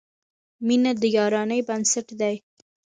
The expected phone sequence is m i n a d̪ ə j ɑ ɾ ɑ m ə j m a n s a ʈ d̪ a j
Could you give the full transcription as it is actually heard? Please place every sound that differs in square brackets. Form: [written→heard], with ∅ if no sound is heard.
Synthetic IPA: m i n a d̪ ə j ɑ ɾ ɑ [m→n] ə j [m→b] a n s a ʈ d̪ a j